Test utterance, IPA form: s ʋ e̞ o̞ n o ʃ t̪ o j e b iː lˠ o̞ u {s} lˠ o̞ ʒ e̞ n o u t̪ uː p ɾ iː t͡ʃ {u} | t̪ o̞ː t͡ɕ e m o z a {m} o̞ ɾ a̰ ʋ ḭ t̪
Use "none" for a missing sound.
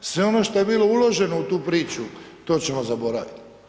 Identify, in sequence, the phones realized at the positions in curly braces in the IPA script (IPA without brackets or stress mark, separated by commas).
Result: none, u, b